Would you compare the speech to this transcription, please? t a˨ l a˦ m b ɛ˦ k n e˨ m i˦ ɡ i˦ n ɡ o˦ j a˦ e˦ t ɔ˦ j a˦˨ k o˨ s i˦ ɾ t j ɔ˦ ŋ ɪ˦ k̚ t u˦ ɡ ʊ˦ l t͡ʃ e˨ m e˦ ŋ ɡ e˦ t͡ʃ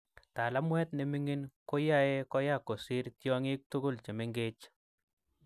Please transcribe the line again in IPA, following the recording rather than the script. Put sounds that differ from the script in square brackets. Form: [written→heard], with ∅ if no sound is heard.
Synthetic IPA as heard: t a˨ l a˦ m [b→w] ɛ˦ [k→t] n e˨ m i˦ [ɡ→ŋ] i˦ n [ɡ→k] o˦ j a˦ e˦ [t→k] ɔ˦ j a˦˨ k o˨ s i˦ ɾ t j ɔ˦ ŋ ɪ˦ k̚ t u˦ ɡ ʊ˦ l t͡ʃ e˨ m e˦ ŋ ɡ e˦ t͡ʃ